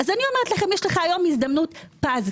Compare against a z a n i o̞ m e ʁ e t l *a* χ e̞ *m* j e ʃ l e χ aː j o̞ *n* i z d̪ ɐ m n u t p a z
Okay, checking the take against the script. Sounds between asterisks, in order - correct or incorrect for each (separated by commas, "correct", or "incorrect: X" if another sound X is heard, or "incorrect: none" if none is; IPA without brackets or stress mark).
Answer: correct, correct, incorrect: m